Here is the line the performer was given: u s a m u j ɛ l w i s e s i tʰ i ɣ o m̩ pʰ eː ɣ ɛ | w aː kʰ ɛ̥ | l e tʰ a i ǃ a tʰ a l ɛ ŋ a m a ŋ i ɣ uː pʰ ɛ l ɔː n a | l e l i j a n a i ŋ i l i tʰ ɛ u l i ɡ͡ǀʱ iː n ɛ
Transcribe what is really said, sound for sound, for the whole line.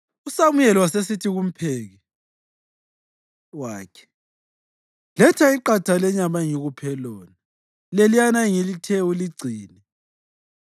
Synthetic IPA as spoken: u s a m u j ɛ l w a s e s i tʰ i ɣ u m̩ pʰ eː ɣ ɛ | w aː kʰ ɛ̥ | l ɛ tʰ a i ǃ a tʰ a l ɛ ɲ a m a ŋ i ɣ u pʰ ɛ l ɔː n a | l e l i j a n a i ŋ i l i tʰ ɛ u l i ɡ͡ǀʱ iː n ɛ